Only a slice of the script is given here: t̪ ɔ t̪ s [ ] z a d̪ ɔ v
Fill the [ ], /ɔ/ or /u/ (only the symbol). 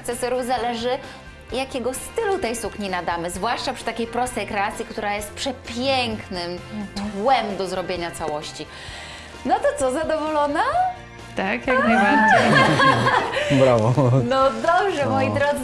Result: ɔ